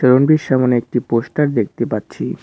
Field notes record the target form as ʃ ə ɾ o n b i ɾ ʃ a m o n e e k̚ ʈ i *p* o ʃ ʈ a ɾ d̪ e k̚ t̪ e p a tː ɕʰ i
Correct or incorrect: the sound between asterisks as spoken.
correct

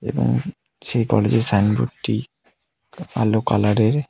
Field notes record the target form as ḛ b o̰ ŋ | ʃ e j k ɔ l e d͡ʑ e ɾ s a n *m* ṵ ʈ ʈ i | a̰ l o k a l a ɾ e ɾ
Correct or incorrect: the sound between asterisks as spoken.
incorrect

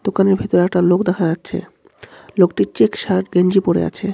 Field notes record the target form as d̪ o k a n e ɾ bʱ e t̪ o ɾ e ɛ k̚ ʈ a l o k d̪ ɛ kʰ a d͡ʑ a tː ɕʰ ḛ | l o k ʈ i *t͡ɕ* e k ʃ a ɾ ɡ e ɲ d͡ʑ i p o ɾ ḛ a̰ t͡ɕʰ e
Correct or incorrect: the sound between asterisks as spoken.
correct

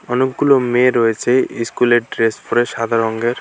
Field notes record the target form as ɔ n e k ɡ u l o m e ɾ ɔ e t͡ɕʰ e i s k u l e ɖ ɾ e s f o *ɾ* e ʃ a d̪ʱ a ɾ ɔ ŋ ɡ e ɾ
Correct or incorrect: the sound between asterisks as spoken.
correct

